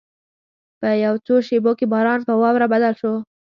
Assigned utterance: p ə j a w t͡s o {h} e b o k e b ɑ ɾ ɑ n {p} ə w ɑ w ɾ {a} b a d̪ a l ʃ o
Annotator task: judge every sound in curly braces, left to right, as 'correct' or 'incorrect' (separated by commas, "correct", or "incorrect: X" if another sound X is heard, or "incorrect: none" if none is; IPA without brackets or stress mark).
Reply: incorrect: ʃ, correct, correct